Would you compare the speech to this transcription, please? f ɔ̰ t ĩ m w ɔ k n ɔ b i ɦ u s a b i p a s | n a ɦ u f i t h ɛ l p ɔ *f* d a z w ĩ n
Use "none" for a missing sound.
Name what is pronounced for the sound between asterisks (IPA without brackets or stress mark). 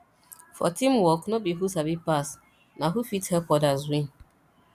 none